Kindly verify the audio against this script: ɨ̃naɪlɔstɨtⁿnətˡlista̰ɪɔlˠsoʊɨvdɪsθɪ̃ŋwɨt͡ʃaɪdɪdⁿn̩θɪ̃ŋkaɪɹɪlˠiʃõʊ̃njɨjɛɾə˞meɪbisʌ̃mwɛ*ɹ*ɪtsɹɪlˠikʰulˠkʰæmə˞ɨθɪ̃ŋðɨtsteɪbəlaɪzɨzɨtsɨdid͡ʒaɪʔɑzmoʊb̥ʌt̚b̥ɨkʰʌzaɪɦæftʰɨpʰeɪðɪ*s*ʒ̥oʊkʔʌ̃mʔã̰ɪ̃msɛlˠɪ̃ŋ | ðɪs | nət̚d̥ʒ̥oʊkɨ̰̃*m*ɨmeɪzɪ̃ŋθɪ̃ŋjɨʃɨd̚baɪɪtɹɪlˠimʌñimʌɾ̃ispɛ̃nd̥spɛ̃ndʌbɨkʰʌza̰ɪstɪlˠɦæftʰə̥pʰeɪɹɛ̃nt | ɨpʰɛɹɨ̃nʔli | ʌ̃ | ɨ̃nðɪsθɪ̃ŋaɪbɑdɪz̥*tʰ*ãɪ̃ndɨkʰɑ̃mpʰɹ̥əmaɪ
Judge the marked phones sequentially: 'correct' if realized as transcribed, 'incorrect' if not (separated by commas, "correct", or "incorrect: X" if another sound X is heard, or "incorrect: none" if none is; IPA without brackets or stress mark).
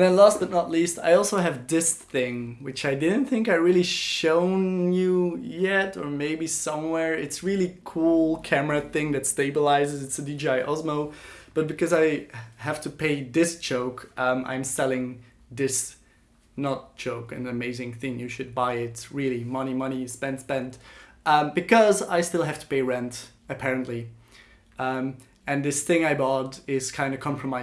correct, correct, incorrect: n, incorrect: kʰ